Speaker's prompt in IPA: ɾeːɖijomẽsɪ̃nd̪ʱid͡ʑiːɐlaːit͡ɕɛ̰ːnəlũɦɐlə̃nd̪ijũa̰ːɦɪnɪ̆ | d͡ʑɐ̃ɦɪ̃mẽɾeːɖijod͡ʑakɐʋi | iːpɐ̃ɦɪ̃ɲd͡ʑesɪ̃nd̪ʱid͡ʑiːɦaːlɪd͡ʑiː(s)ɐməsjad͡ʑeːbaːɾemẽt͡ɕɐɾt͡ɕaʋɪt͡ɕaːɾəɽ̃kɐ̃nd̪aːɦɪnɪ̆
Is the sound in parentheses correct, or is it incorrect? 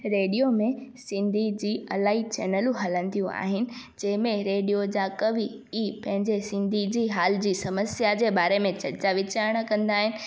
correct